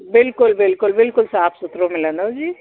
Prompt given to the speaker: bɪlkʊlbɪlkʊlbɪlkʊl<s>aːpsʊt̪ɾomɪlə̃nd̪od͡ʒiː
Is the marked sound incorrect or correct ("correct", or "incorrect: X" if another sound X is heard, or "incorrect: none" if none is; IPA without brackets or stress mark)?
correct